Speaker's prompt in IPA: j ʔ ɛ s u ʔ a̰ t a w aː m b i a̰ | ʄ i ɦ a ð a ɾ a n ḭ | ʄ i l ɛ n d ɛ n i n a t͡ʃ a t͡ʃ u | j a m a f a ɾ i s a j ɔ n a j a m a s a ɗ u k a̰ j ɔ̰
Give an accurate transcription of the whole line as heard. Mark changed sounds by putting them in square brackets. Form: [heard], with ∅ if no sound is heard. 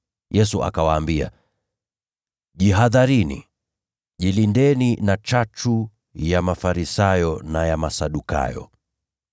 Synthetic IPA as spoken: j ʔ ɛ s u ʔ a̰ [k] a w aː m b i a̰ | ʄ i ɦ a ð a ɾ [i] n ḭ | ʄ i l [i] n d ɛ n i n a t͡ʃ a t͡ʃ u | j a m a f a ɾ i s a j ɔ n a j a m a s a ɗ u k a̰ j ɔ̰

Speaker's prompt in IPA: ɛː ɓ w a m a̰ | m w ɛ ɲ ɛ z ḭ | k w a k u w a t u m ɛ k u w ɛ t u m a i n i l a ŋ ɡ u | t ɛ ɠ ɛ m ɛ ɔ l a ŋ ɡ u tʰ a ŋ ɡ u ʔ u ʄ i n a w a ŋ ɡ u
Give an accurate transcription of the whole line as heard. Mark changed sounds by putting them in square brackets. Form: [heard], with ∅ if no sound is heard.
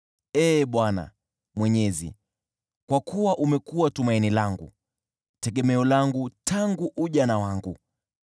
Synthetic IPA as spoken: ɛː ɓ w a [n] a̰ | m w ɛ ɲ ɛ z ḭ | k w a k u w a [ʔ] u m ɛ k u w [a] t u m a i n i l a ŋ ɡ u | t ɛ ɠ ɛ m ɛ ɔ l a ŋ ɡ u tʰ a ŋ ɡ u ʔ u ʄ [a] n a w a ŋ ɡ u

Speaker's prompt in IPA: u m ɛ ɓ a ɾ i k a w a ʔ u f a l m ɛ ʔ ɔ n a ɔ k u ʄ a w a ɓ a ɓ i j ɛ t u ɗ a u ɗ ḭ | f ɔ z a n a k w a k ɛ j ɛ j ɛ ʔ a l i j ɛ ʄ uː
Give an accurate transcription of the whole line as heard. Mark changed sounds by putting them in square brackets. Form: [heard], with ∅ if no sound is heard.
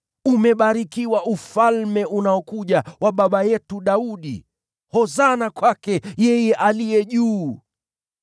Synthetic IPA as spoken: u m ɛ ɓ a ɾ i k [i] w a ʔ u f a l m ɛ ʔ [u] n a ɔ k u ʄ a w a ɓ a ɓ [a] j ɛ t u ɗ a u ɗ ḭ | [h] ɔ z a n a k w a k ɛ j ɛ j ɛ ʔ a l i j ɛ ʄ uː

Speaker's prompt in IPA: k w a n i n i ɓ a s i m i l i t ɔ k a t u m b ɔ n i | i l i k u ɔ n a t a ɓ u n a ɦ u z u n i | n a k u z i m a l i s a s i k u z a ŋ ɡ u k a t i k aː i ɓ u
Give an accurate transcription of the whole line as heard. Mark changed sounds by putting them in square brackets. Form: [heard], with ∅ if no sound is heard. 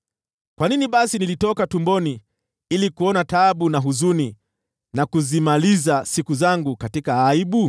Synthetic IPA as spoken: k w a n i n i ɓ a s i [n] i l i t ɔ k a t u m b ɔ n i | i l i k u ɔ n a t a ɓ u n a ɦ u z u n i | n a k u z i m a l i [z] a s i k u z a ŋ ɡ u k a t i k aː i ɓ u

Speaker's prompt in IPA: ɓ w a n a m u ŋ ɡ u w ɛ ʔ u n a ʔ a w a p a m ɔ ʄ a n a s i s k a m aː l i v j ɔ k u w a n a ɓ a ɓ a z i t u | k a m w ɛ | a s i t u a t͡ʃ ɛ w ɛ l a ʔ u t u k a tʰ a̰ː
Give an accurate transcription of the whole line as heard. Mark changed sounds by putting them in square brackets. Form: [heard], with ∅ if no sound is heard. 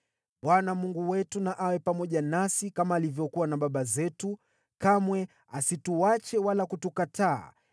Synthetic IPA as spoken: ɓ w a n a m u ŋ ɡ u w ɛ [t] u n a ʔ a w [ɛ] p a m ɔ ʄ a n a s i [∅] k a m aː l i v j ɔ k u w a n a ɓ a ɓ a z [ɛ] t u | k a m w ɛ | a s i t u a t͡ʃ ɛ w [a] l a [k] u t u k a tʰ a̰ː

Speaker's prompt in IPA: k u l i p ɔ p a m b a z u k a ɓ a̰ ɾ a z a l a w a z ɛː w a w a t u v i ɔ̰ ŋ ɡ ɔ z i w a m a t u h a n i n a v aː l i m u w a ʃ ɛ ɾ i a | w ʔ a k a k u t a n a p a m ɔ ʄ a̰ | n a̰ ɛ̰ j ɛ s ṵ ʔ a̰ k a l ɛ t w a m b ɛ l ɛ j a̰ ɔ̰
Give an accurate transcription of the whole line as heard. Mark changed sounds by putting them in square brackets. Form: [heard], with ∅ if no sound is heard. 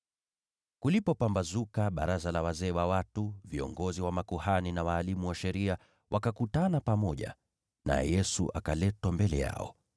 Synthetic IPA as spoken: k u l i p ɔ p a m b a z u k a ɓ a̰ ɾ a z a l a w a z ɛː w a w a t u v i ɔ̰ ŋ ɡ ɔ z i w a m a [k] u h a n i n a [w] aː l i m u w a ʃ ɛ ɾ i a | w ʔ a k a k u t a n a p a m ɔ ʄ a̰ | n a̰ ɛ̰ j ɛ s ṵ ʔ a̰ k a l ɛ t w a m b ɛ l ɛ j a̰ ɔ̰

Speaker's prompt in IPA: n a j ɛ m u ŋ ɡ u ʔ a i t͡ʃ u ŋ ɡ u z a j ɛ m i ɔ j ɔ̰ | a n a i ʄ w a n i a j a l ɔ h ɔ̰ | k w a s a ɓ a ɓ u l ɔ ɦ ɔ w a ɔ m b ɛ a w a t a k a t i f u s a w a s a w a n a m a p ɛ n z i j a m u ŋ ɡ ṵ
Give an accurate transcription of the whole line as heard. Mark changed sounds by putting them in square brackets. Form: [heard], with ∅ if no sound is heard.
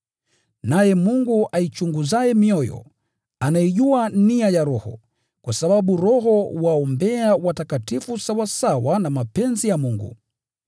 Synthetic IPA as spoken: n a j ɛ m u ŋ ɡ u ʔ a i t͡ʃ u ŋ ɡ u z a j ɛ m i ɔ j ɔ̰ | a n a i ʄ [u] a n i a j a [ɾ] ɔ h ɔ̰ | k w a s a ɓ a ɓ u [ɾ] ɔ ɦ ɔ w a ɔ m b ɛ a w a t a k a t i f u s a w a s a w a n a m a p ɛ n z i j a m u ŋ ɡ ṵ

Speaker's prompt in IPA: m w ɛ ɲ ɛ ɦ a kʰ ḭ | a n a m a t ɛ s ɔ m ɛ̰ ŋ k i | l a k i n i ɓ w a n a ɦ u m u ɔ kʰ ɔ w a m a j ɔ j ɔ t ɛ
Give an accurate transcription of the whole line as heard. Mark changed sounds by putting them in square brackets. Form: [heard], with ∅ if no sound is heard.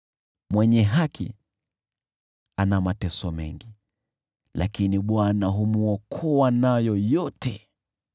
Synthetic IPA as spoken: m w ɛ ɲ ɛ ɦ a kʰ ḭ | a n a m a t ɛ s ɔ m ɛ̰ ŋ [ɡ] i | l a k i n i ɓ w a n a ɦ u m u ɔ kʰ ɔ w a [n] a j ɔ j ɔ t ɛ

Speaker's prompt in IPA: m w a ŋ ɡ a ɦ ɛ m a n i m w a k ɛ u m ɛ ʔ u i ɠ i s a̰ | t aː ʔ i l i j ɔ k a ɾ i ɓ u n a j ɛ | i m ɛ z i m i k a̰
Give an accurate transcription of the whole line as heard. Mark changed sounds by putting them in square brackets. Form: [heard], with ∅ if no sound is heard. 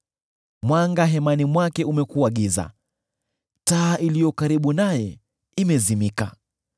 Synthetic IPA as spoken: m w a ŋ ɡ a ɦ ɛ m a n i m w a k ɛ u m ɛ [k] u [a] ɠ i [z] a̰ | t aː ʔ i l i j ɔ k a ɾ i ɓ u n a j ɛ | i m ɛ z i m i k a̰

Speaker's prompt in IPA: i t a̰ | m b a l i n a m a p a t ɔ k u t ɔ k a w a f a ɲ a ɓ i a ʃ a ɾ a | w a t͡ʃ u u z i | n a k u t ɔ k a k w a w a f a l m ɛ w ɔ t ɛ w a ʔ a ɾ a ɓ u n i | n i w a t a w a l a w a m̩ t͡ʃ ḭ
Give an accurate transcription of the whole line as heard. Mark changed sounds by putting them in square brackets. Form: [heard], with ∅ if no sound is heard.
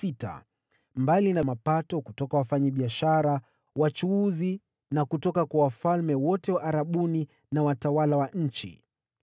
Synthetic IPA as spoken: i t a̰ | m b a l i n a m a p a t ɔ k u t ɔ k a w a f a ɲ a ɓ i a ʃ a ɾ a | w a t͡ʃ u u z i | n a k u t ɔ k a k w a w a f a l m ɛ w ɔ t ɛ w a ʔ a ɾ a ɓ u n i | n [a] w a t a w a l a w a [ɲ̩] t͡ʃ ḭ

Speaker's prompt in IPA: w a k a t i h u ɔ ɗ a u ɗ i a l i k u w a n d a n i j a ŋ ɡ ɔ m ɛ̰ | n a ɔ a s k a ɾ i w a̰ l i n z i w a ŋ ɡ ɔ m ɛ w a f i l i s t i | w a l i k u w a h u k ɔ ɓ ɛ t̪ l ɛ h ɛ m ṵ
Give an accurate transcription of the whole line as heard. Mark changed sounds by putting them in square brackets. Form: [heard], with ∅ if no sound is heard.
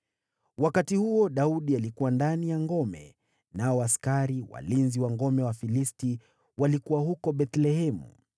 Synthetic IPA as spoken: w a k a t i h u ɔ ɗ a u ɗ i a l i k u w a n d a n i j a ŋ ɡ ɔ m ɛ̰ | n a ɔ a s k a ɾ i w a̰ l i n z i w a ŋ ɡ ɔ m ɛ w a f i l i s t i | w a l i k u w a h u k ɔ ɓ ɛ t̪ l ɛ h ɛ m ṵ

